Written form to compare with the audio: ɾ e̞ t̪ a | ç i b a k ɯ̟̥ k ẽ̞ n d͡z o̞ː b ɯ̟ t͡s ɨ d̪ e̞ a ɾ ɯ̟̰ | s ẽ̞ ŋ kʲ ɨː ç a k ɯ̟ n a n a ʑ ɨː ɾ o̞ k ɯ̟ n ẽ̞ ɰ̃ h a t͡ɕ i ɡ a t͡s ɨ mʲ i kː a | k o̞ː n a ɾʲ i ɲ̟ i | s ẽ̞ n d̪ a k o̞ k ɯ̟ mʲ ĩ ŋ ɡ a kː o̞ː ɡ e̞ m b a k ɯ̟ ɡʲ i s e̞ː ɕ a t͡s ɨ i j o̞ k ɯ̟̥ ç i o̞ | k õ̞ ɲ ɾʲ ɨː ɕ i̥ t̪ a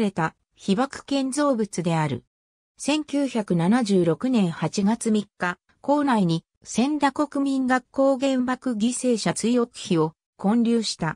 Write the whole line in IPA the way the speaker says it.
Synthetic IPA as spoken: ɾ e̞ t̪ a | ç i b a k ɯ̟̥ k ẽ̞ n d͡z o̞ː b ɯ̟ t͡s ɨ d̪ e̞ a ɾ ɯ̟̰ | s ẽ̞ ŋ kʲ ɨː ç a k ɯ̟ n a n a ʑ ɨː ɾ o̞ k ɯ̟ n ẽ̞ ɰ̃ h a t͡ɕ i ɡ a t͡s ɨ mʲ i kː a | k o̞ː n a i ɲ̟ i | s ẽ̞ n d̪ a k o̞ k ɯ̟ mʲ ĩ ŋ ɡ a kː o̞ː ɡ ẽ̞ m b a k ɯ̟ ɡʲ i s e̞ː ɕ a t͡s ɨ i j o̞ k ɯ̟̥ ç i o̞ | k õ̞ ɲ ɾʲ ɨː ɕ i̥ t̪ a